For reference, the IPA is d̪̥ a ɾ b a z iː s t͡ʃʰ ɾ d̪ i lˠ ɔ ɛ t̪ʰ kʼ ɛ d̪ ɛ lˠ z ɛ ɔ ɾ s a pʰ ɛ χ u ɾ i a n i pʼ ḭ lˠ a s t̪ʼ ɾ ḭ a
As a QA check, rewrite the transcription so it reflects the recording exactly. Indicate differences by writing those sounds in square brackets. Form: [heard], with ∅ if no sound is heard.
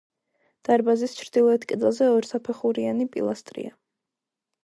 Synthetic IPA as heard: d̪̥ a ɾ b a z [i] s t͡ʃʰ ɾ d̪ i lˠ ɔ ɛ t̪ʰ kʼ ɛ d̪ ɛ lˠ z ɛ ɔ ɾ s a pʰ ɛ χ u ɾ i a n i pʼ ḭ lˠ a s t̪ʼ ɾ ḭ a

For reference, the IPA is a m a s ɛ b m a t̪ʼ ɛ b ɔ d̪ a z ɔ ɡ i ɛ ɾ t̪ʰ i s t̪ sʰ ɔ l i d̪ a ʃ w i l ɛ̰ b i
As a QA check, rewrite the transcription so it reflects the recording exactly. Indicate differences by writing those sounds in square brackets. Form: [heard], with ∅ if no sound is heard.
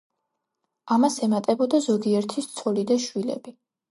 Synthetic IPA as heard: a m a s ɛ [∅] m a t̪ʼ ɛ b ɔ d̪ a z ɔ ɡ i ɛ ɾ t̪ʰ i s t̪ sʰ ɔ l i d̪ a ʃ w i l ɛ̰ b i

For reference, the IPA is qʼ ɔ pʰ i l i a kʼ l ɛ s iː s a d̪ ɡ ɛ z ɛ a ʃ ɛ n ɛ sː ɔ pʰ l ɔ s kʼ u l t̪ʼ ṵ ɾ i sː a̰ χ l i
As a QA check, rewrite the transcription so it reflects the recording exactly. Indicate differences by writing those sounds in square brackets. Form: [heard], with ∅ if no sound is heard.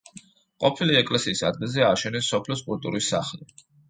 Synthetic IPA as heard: qʼ ɔ pʰ i l i [ɛ] kʼ l ɛ s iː s a d̪ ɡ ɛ z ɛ a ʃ ɛ n ɛ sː ɔ pʰ l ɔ s kʼ u l t̪ʼ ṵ ɾ i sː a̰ χ l i

